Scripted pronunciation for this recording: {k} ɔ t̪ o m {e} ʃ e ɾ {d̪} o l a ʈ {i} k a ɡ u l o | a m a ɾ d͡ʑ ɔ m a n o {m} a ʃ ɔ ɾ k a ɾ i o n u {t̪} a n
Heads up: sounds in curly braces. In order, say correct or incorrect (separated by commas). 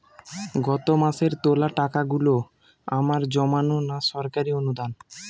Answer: incorrect, incorrect, incorrect, incorrect, incorrect, incorrect